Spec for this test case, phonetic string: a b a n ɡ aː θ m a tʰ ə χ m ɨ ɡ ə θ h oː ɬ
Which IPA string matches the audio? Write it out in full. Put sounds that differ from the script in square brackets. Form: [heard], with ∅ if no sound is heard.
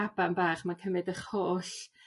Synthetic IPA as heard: a b a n [b] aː [χ] m a [kʰ] ə [∅] m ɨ [d] ə [χ] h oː ɬ